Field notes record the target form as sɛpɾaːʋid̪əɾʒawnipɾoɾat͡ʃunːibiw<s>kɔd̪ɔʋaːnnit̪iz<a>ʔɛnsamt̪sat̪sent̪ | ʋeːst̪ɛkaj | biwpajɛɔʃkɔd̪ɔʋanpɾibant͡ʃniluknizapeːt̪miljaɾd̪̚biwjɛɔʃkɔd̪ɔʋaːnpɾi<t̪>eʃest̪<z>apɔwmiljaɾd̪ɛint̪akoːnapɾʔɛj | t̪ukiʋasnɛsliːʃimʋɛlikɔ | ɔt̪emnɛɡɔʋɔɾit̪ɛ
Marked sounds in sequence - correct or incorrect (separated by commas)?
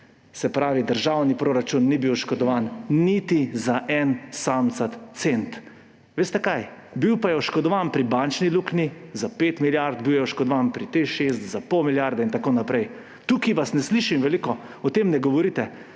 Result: incorrect, correct, correct, correct